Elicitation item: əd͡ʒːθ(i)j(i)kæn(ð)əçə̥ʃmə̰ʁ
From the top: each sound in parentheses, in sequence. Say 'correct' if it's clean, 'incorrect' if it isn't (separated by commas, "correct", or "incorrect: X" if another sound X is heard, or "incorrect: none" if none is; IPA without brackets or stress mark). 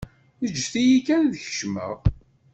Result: correct, correct, correct